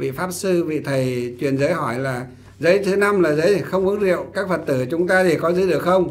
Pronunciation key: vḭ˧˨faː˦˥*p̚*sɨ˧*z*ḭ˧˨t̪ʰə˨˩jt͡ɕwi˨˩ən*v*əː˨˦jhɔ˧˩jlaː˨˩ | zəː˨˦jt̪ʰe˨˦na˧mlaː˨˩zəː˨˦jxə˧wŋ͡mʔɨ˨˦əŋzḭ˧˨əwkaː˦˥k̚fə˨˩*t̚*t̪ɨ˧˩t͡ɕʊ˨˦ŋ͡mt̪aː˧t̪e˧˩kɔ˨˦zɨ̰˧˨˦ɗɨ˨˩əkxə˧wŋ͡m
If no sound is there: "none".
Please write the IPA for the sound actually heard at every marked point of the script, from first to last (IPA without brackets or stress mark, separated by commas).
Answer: p̚, v, z, t̚